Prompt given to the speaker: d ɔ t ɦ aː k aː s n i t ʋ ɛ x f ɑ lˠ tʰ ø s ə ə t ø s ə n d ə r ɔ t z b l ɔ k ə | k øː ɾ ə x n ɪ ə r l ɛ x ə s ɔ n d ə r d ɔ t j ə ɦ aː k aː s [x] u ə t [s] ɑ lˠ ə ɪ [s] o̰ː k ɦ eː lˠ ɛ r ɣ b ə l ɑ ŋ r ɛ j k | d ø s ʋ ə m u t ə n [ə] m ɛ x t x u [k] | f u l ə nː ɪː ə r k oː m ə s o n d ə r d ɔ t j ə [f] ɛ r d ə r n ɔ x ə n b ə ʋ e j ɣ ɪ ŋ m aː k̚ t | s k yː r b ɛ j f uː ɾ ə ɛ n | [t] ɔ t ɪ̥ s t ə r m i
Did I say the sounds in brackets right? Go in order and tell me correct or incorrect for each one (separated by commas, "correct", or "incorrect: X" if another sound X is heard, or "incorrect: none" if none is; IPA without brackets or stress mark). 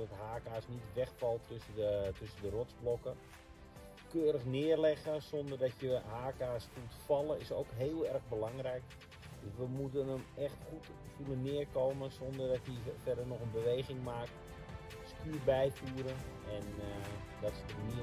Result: incorrect: f, incorrect: f, correct, correct, incorrect: t, correct, incorrect: d